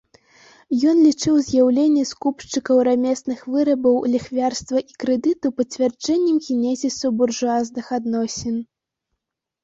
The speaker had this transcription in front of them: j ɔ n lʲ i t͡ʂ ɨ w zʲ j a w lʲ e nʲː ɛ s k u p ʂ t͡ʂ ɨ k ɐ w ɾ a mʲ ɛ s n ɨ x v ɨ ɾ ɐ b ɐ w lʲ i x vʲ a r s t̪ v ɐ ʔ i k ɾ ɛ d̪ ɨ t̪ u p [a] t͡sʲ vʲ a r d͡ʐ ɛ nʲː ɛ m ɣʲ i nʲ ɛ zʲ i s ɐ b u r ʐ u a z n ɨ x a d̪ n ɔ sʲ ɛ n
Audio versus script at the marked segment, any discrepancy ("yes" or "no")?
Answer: yes